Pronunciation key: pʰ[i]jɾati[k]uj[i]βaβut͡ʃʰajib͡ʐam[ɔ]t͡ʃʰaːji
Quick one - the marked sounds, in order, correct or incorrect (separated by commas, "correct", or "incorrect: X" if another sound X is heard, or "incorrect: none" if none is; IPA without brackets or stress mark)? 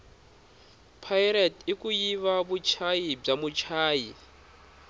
incorrect: a, correct, correct, incorrect: u